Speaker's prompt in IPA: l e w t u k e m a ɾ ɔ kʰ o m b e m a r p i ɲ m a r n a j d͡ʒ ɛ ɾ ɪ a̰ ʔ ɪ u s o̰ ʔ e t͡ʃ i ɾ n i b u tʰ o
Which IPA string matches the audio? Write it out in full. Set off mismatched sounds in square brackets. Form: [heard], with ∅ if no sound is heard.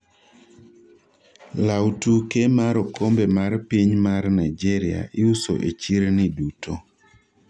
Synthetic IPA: l [a] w t u k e m a ɾ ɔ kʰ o m b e m a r p i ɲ m a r n a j d͡ʒ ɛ ɾ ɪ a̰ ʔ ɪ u s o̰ ʔ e t͡ʃ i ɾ n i [d] u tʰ o